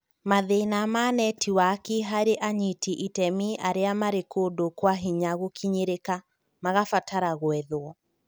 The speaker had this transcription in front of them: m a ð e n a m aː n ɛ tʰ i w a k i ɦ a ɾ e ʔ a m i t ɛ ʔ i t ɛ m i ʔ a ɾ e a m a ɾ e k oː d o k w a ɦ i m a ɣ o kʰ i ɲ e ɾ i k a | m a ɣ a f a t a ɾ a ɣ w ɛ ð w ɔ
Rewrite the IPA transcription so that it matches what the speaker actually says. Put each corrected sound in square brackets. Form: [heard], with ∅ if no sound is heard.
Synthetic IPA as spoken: m a ð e n a m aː n ɛ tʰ i w a k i ɦ a ɾ e ʔ a [ɲ] i t [i] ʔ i t ɛ m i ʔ a ɾ e a m a ɾ e k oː d o k w a ɦ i [ɲ] a ɣ o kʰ i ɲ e ɾ [e] k a | m a ɣ a f a t a ɾ a ɣ w ɛ ð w ɔ